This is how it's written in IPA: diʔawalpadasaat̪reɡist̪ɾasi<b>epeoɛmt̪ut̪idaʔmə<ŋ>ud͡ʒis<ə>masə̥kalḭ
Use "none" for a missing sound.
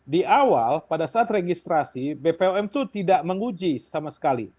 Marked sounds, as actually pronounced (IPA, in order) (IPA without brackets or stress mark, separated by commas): b, ŋ, a